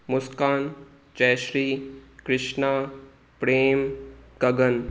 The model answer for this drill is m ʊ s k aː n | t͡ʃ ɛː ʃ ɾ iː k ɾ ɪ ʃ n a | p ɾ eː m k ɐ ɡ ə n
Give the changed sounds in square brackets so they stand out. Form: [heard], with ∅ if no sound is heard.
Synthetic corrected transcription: m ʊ s k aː n | t͡ʃ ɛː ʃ ɾ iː k ɾ ɪ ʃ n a | p ɾ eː m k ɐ ɡ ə n